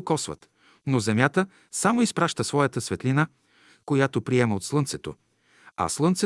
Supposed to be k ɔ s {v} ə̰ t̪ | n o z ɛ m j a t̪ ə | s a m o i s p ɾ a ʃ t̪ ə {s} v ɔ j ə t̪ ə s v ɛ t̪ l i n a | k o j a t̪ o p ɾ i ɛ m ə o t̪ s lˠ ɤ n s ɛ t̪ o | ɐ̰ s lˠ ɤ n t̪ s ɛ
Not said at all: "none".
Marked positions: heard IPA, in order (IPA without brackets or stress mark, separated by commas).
v, s